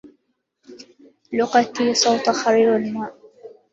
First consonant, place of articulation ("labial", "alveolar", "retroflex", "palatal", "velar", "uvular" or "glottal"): alveolar